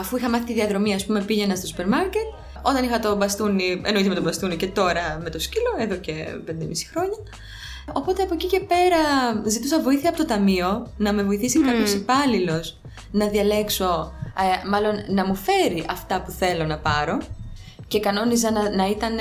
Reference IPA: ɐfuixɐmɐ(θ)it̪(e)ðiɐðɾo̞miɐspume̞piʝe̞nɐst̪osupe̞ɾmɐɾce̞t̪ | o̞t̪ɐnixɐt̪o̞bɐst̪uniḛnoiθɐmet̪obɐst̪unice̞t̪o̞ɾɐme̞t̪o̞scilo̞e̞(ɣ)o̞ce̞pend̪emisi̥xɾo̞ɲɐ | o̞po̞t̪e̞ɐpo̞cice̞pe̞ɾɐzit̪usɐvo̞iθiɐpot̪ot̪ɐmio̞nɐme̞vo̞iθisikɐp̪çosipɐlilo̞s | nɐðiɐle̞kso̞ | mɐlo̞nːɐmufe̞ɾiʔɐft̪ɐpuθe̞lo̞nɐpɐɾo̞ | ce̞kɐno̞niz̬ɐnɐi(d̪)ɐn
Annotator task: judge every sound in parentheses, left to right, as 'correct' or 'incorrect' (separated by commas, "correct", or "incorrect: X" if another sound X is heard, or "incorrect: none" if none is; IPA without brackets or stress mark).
correct, incorrect: i, incorrect: ð, incorrect: t̪